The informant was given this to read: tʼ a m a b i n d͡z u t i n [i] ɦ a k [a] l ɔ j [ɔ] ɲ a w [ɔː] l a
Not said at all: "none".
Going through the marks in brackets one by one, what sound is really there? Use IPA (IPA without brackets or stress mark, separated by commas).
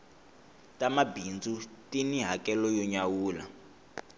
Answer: i, ɛ, ɔ, uː